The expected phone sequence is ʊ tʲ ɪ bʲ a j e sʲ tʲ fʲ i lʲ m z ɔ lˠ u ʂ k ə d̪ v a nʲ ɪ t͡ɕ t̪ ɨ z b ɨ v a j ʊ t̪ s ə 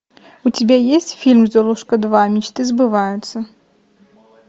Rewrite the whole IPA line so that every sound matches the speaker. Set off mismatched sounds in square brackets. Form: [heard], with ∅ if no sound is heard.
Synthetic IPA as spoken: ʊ tʲ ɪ bʲ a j e sʲ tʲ fʲ i lʲ m z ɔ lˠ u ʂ k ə d̪ v a [mʲ] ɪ t͡ɕ t̪ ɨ z b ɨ v a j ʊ t̪ s ə